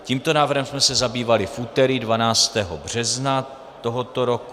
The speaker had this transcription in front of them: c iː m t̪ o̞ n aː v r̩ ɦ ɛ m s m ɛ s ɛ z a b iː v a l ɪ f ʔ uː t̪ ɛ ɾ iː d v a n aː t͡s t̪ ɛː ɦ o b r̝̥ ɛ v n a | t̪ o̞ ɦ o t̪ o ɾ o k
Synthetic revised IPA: c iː m t̪ o̞ n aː v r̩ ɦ ɛ m s m ɛ s ɛ z a b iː v a l ɪ f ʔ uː t̪ ɛ ɾ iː d v a n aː t͡s t̪ ɛː ɦ o b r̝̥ ɛ z n a | t̪ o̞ ɦ o t̪ o ɾ o k